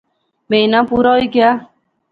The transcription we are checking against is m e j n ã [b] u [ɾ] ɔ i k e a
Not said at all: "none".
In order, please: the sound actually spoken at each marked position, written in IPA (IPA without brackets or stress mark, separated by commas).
p, ɾ